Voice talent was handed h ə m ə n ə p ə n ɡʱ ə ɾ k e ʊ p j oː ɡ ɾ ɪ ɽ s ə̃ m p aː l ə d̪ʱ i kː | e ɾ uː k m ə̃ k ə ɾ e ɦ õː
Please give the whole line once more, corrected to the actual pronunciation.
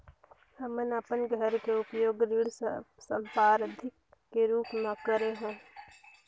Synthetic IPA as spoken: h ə m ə n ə p ə n ɡʱ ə ɾ k e ʊ p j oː ɡ ɾ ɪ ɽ s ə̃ m p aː ɾ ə d̪ʱ ɪ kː | e ɾ uː p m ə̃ k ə ɾ e ɦ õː